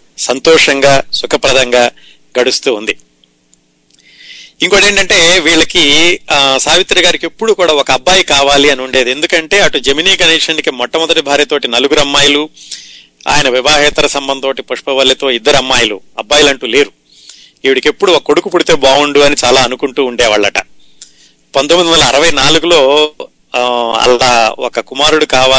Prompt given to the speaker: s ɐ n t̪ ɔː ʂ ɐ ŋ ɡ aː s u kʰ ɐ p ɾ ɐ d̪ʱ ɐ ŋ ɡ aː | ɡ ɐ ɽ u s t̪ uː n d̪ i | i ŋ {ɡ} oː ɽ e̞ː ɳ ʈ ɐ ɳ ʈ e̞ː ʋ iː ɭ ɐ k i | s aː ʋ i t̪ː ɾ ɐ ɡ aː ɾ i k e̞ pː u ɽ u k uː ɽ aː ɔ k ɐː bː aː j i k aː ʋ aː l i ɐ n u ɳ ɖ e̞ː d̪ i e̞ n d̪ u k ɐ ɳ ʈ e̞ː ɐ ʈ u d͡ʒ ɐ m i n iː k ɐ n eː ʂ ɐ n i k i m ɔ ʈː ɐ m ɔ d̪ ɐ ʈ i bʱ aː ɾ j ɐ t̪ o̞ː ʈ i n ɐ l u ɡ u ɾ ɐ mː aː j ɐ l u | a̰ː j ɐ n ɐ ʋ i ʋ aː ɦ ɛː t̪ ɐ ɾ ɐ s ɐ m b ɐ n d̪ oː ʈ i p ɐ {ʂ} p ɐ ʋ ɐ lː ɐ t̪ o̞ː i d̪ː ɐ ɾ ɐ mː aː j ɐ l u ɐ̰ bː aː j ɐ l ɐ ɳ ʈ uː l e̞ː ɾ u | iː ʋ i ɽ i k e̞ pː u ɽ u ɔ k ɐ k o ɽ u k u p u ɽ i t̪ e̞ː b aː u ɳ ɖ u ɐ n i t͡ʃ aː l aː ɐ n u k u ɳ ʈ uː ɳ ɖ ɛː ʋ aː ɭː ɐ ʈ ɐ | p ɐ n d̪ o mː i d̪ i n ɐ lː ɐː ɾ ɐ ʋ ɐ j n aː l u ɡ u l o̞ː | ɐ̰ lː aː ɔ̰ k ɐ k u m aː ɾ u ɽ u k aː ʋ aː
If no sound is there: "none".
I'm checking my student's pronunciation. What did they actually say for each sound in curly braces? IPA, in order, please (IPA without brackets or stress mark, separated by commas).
k, ʂ